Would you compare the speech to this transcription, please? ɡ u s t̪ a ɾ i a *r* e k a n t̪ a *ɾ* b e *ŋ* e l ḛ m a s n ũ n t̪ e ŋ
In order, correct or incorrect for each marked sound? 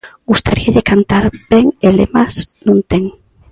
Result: incorrect: ʎ, correct, correct

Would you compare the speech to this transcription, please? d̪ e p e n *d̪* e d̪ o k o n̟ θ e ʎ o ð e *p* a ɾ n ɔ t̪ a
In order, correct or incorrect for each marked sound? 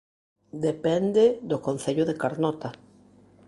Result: correct, incorrect: k

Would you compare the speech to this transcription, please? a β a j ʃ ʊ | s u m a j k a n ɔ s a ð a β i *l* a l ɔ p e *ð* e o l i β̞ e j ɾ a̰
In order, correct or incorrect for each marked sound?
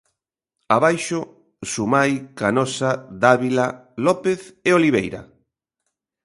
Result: correct, incorrect: θ

